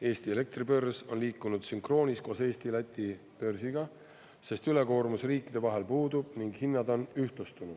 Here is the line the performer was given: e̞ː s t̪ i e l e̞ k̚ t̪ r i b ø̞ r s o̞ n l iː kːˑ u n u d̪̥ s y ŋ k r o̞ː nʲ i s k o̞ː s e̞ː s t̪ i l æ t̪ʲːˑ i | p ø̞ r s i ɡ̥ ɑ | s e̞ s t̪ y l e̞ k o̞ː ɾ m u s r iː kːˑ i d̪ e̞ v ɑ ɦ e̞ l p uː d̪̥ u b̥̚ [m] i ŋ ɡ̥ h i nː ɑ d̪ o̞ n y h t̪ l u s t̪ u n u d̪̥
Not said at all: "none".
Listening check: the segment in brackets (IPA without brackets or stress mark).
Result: n